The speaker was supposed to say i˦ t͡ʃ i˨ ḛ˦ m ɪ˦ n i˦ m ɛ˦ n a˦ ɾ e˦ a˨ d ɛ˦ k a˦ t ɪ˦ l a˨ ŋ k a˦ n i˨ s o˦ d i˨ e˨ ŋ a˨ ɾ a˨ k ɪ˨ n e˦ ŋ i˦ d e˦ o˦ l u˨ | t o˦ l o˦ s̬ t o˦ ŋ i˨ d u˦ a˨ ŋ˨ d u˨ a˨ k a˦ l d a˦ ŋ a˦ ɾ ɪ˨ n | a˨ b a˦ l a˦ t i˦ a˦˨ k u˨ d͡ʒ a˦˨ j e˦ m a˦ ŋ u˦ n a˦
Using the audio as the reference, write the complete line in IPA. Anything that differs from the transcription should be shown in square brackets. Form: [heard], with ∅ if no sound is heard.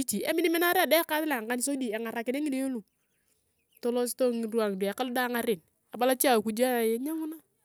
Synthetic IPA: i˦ t͡ʃ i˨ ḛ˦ m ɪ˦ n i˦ m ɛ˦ n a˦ ɾ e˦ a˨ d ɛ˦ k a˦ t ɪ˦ l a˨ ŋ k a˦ n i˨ s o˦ d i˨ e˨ ŋ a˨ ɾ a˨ k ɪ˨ n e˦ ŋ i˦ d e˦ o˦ l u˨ | t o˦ l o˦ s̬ t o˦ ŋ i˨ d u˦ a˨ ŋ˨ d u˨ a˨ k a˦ l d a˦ ŋ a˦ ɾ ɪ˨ n | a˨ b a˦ l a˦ [t͡ʃ] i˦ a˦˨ k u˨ d͡ʒ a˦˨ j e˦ [ɲ] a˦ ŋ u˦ n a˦